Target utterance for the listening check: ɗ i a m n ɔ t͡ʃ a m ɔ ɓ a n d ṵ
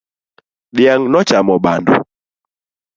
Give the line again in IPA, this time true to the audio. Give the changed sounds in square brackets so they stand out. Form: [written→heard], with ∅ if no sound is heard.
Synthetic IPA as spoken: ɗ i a [m→ŋ] n ɔ t͡ʃ a m ɔ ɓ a n d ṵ